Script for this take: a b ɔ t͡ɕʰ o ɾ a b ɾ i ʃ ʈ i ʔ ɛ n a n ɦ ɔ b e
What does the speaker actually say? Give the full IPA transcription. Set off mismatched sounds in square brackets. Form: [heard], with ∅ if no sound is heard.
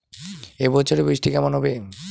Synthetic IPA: [e] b ɔ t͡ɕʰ o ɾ [e] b ɾ i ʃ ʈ i [k] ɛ [m] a n ɦ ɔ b e